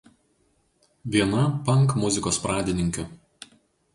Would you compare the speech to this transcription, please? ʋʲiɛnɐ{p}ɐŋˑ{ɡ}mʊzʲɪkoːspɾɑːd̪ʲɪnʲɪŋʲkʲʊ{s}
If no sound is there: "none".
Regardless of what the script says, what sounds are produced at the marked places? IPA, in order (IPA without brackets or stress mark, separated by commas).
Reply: p, k, none